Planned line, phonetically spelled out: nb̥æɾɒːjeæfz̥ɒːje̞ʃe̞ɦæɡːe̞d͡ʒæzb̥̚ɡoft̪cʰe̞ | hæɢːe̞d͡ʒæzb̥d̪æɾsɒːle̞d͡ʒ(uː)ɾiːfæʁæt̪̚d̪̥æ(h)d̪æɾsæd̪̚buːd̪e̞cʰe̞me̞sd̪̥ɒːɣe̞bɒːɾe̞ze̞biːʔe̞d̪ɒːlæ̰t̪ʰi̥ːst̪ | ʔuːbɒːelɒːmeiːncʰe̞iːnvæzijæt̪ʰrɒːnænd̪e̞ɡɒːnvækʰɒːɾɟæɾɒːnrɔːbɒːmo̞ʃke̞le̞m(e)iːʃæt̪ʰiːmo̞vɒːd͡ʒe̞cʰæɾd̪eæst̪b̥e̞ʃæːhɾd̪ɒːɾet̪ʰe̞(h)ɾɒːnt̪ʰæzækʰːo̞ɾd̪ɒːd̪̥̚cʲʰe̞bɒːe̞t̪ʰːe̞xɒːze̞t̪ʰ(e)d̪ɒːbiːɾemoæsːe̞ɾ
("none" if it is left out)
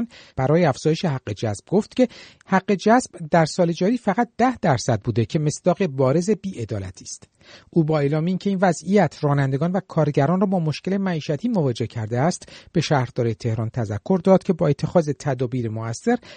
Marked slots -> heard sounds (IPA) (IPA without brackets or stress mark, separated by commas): ɒː, h, æ, h, æ